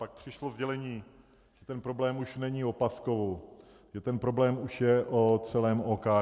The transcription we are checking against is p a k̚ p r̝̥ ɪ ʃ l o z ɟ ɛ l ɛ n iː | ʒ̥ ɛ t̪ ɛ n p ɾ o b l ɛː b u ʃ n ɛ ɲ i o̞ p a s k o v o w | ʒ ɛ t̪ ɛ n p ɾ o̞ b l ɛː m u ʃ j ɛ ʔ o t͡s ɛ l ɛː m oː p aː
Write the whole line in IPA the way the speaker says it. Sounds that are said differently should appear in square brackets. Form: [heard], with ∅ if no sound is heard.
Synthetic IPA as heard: p a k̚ p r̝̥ ɪ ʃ l o z ɟ ɛ l ɛ [ɲ] iː | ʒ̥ ɛ t̪ ɛ n p ɾ o b l ɛː [m] u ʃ n ɛ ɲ i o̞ p a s k o v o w | ʒ ɛ t̪ ɛ n p ɾ o̞ b l ɛː m u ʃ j ɛ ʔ o t͡s ɛ l ɛː m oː [k] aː